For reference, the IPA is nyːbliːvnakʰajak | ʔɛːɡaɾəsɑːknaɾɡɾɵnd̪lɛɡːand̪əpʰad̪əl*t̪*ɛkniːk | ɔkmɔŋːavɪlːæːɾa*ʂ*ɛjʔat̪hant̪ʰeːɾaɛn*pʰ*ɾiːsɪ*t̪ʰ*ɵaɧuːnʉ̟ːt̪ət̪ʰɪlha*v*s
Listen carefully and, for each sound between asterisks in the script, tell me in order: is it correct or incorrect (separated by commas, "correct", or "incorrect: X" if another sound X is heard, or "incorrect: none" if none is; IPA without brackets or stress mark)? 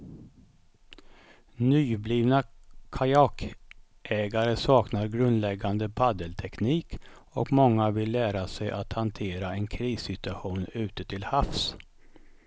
incorrect: t̪ʰ, incorrect: s, incorrect: kʰ, incorrect: t̪, incorrect: f